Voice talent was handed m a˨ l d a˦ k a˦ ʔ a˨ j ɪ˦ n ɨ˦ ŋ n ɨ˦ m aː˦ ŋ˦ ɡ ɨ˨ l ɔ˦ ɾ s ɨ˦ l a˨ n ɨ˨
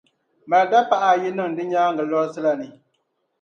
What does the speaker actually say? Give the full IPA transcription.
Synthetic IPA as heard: m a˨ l d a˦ p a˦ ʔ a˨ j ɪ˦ n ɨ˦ ŋ d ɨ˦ ɲ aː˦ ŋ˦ ɡ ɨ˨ l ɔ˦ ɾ s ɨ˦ l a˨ n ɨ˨

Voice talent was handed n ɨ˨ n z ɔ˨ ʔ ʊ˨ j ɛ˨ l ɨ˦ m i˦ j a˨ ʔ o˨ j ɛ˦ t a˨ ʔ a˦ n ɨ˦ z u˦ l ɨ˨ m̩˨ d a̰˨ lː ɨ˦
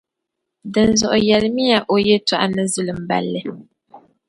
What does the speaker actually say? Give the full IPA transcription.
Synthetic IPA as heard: d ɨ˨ n z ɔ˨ ʔ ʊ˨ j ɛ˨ l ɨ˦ m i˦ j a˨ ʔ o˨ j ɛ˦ t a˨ ʔ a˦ n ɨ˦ z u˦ l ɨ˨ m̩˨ b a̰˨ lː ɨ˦

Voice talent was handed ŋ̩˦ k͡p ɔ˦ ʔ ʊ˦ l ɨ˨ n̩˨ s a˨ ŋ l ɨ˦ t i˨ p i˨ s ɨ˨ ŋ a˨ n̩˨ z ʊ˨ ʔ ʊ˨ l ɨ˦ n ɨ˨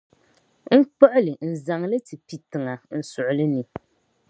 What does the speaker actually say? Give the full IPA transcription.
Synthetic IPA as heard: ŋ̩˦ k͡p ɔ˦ ʔ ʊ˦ l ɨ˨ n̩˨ z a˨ ŋ l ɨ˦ t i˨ p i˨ t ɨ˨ ŋ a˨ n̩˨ s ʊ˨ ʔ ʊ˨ l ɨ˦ n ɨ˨

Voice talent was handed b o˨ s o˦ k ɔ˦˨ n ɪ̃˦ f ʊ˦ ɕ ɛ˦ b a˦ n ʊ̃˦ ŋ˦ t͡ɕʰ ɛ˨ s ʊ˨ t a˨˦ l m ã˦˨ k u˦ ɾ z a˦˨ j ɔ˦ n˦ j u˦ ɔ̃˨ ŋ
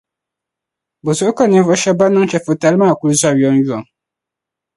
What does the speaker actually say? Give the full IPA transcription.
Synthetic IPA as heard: b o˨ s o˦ k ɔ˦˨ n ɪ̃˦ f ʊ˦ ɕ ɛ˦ b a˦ n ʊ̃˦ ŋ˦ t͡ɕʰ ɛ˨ f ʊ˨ t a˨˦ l m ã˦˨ k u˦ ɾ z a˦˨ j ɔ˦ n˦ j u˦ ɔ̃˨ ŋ

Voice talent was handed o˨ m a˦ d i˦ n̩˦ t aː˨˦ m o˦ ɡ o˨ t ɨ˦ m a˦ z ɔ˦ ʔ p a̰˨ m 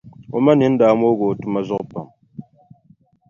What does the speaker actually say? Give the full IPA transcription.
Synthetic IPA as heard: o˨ m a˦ n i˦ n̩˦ d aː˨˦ m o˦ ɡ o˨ t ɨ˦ m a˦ z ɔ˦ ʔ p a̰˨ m

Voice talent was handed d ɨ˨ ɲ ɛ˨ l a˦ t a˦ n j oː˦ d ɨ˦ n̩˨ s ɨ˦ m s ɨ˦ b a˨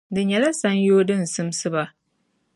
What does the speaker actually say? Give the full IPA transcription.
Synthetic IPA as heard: d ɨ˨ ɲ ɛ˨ l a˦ s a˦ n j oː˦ d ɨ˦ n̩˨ s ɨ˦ m s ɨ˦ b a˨

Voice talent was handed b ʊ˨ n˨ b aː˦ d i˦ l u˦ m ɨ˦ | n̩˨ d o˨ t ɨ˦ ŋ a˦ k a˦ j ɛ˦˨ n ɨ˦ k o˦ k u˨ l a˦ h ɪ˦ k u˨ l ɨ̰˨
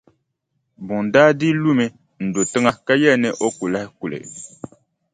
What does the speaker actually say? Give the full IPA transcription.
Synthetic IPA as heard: b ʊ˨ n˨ d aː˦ d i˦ l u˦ m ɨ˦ | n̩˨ d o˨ t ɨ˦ ŋ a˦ k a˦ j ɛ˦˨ n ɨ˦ ʔ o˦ k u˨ l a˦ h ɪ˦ k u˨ l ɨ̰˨

